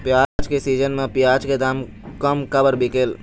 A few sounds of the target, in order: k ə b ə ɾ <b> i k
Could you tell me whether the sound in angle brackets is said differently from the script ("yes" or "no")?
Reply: no